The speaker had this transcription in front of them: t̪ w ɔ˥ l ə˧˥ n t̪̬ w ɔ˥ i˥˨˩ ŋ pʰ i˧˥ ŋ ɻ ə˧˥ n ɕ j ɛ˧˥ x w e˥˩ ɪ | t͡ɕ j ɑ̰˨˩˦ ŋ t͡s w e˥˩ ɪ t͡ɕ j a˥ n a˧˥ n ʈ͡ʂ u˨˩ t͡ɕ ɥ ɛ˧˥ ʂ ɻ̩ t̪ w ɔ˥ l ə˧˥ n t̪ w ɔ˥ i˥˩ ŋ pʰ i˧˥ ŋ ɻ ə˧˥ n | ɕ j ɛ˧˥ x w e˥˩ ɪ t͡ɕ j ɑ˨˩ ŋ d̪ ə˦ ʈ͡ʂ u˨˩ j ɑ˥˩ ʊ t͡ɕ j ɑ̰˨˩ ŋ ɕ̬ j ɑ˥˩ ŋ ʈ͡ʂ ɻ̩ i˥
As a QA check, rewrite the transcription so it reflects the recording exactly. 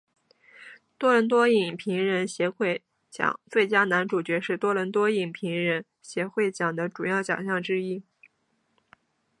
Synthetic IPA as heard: t̪ w ɔ˥ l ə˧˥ n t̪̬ w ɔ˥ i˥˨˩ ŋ pʰ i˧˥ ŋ ɻ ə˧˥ n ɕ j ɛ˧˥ x w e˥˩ ɪ | t͡ɕ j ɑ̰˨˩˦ ŋ t͡s w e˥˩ ɪ t͡ɕ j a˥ n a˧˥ n ʈ͡ʂ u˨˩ t͡ɕ ɥ ɛ˧˥ ʂ ɻ̩ t̪ w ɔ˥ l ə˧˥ n t̪ w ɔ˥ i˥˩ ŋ pʰ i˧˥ ŋ ɻ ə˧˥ n | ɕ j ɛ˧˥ x w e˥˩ ɪ t͡ɕ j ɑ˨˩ ŋ d̪ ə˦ ʈ͡ʂ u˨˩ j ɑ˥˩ ʊ t͡ɕ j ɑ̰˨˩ ŋ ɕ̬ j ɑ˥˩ ŋ ʈ͡ʂ ɻ̩ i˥

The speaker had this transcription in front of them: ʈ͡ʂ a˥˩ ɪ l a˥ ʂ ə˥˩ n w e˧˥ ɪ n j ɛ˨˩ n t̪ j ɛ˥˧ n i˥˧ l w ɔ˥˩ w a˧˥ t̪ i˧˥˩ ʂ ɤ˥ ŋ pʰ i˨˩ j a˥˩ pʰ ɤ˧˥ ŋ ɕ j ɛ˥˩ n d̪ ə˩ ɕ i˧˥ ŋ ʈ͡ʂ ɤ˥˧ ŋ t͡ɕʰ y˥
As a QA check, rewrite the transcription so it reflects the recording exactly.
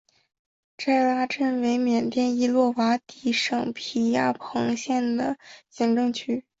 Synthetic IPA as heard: ʈ͡ʂ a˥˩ ɪ l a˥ ʈ͡ʂ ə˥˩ n w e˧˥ ɪ m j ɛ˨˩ n t̪ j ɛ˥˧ n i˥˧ l w ɔ˥˩ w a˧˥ t̪ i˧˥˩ ʂ ɤ˨˩ ŋ pʰ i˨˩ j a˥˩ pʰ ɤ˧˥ ŋ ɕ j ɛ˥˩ n d̪ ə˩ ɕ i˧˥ ŋ ʈ͡ʂ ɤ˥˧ ŋ t͡ɕʰ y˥

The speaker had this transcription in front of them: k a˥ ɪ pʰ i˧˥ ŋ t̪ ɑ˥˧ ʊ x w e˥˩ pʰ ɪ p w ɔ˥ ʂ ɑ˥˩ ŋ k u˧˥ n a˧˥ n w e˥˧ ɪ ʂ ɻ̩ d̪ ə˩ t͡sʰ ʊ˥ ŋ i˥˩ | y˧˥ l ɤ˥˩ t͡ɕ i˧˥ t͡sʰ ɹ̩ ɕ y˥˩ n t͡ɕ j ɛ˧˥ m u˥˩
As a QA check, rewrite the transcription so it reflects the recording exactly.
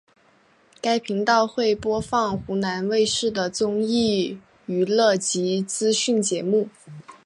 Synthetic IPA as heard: k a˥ ɪ pʰ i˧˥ ŋ t̪ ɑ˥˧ ʊ x w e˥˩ ɪ p w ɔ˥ f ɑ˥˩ ŋ x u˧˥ n a˧˥ n w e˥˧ ɪ ʂ ɻ̩ d̪ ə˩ t͡s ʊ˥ ŋ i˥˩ | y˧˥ l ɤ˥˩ t͡ɕ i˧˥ t͡s ɹ̩ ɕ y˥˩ n t͡ɕ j ɛ˧˥ m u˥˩

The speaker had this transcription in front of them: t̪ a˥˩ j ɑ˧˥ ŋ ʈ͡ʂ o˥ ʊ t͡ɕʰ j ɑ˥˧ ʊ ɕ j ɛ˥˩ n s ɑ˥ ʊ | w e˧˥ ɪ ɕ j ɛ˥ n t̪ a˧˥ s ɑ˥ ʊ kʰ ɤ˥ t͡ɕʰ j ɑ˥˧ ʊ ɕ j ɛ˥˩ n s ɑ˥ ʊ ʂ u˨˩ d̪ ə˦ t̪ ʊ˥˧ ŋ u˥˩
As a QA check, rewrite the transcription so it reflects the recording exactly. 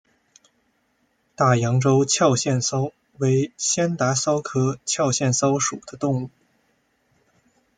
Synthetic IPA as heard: t̪ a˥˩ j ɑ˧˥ ŋ ʈ͡ʂ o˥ ʊ t͡ɕʰ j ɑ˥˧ ʊ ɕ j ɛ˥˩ n s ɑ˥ ʊ | w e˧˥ ɪ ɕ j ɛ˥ n t̪ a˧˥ s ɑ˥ ʊ kʰ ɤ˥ t͡ɕʰ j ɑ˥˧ ʊ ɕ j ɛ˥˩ n s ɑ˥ ʊ ʂ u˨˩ d̪ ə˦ t̪ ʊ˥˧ ŋ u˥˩

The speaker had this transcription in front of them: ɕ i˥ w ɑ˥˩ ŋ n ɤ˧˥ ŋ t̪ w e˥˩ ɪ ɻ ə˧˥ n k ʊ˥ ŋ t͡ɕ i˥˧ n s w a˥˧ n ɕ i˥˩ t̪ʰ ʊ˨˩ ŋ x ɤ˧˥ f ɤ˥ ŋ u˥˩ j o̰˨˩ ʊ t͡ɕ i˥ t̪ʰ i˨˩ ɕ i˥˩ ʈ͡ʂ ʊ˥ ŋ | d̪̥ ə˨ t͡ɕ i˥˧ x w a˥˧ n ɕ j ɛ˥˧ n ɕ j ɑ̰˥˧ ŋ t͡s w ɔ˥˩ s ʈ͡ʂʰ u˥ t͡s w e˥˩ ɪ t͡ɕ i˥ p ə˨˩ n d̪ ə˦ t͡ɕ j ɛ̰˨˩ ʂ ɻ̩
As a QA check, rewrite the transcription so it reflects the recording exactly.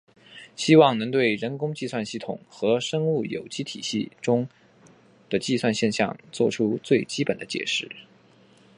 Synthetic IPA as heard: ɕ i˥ w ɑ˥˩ ŋ n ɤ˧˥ ŋ t̪ w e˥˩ ɪ ɻ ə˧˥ n k ʊ˥ ŋ t͡ɕ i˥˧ s w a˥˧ n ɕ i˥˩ t̪ʰ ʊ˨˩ ŋ x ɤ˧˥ ʂ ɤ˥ ŋ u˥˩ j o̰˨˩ ʊ t͡ɕ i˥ t̪ʰ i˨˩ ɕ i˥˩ ʈ͡ʂ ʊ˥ ŋ | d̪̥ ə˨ t͡ɕ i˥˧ s w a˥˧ n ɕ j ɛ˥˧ n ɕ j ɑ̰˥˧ ŋ t͡s w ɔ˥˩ ʈ͡ʂʰ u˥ t͡s w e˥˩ ɪ t͡ɕ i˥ p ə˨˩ n d̪ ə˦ t͡ɕ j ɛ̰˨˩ ʂ ɻ̩

